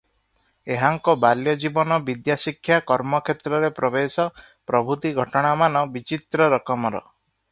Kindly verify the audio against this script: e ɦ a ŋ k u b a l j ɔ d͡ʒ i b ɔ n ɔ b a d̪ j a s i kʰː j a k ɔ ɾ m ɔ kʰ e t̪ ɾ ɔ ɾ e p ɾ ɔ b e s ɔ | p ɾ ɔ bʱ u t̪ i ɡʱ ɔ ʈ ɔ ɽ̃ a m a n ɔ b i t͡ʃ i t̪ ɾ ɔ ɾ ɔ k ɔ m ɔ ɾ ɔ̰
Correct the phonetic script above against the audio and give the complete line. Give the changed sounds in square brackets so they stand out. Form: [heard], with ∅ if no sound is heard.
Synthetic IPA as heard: e ɦ a ŋ k [ɔ] b a l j ɔ d͡ʒ i b ɔ n ɔ b [i] d̪ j a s i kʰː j a k ɔ ɾ m ɔ kʰ e t̪ ɾ ɔ ɾ e p ɾ ɔ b e s ɔ | p ɾ ɔ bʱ u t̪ i ɡʱ ɔ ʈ ɔ ɽ̃ a m a n ɔ b i t͡ʃ i t̪ ɾ ɔ ɾ ɔ k ɔ m ɔ ɾ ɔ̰